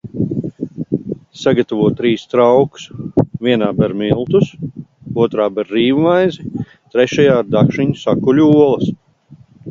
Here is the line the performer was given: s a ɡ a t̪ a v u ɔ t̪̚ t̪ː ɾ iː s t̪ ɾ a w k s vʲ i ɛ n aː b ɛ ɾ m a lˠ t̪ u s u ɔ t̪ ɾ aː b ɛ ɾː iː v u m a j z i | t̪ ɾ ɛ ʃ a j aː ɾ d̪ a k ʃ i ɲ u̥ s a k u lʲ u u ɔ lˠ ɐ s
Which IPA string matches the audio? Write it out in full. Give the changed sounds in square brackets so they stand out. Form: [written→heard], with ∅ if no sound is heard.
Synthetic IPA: s a ɡ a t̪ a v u ɔ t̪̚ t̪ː ɾ iː s t̪ ɾ a w k s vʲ i ɛ n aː b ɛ ɾ m [a→i] lˠ t̪ u s u ɔ t̪ ɾ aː b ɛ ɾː iː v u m a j z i | t̪ ɾ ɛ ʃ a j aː ɾ d̪ a k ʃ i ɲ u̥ s a k u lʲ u u ɔ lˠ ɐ s